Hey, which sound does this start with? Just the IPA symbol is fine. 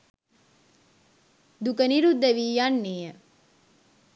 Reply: d̪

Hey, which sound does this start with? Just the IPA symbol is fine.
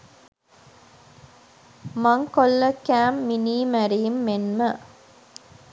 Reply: m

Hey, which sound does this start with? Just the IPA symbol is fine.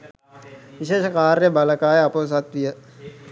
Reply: ʋ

